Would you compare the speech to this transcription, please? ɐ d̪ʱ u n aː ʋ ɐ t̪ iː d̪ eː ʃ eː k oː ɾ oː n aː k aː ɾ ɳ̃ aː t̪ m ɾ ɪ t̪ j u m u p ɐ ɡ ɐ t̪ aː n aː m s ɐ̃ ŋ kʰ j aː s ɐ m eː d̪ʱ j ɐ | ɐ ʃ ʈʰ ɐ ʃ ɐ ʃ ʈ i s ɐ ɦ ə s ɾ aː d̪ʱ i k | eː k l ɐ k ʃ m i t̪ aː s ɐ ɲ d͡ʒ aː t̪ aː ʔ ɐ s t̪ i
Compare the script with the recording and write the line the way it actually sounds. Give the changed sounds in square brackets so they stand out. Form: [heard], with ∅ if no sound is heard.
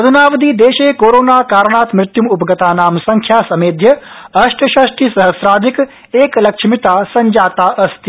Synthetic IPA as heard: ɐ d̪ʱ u n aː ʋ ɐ [d̪] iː d̪ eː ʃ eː k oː ɾ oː n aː k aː ɾ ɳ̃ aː t̪ m ɾ ɪ t̪ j u m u p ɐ ɡ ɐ t̪ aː n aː m s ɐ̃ ŋ kʰ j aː s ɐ m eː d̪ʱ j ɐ | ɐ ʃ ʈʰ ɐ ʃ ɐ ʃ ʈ i s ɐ ɦ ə s ɾ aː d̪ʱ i k | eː k l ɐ k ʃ m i t̪ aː s ɐ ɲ d͡ʒ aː t̪ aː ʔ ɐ s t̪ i